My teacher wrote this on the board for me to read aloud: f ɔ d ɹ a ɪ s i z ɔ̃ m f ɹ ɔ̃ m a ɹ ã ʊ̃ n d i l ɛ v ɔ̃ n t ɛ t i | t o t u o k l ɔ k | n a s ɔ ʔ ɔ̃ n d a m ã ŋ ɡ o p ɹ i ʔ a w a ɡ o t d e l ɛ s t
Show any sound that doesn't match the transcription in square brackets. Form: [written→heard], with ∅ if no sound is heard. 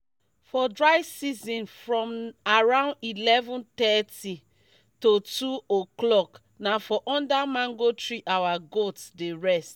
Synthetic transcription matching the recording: f ɔ d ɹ a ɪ s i z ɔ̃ [m→n] f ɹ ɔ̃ m a ɹ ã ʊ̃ n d i l ɛ v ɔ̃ n t ɛ t i | t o t u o k l ɔ k | n a [s→f] ɔ ʔ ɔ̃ n d a m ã ŋ ɡ o [p→t] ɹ i ʔ a w a ɡ o t d e [l→ɹ] ɛ s t